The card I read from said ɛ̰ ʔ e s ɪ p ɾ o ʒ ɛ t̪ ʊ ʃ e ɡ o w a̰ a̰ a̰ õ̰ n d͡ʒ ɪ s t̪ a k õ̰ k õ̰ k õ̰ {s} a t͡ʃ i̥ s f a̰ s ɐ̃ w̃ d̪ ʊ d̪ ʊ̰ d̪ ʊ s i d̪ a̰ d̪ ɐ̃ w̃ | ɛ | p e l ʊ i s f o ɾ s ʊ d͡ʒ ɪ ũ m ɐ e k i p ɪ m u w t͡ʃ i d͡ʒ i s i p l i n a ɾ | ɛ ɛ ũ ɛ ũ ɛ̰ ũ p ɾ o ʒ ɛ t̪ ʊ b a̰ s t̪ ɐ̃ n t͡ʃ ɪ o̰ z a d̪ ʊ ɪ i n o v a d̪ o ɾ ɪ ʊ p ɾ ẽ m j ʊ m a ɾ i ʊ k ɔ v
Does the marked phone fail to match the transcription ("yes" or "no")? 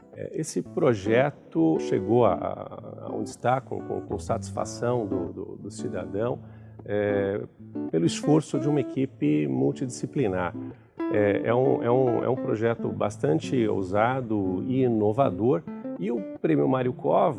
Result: no